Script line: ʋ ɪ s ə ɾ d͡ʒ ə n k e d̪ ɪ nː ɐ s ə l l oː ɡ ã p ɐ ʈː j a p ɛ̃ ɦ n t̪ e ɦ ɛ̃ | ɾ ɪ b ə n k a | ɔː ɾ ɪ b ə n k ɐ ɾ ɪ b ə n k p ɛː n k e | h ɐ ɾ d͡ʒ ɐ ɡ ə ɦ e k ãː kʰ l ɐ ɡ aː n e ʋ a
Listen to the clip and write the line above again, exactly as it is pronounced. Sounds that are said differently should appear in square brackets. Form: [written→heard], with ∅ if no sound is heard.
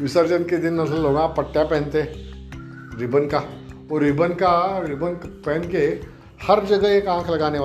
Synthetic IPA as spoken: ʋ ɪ s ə ɾ d͡ʒ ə n k e d̪ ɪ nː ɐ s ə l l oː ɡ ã p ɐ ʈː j a p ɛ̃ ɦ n t̪ e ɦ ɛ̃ | ɾ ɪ b ə n k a | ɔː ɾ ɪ b ə n k [ɐ→a] ɾ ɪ b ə n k p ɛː n k e | h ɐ ɾ d͡ʒ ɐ ɡ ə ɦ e k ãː kʰ l ɐ ɡ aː n e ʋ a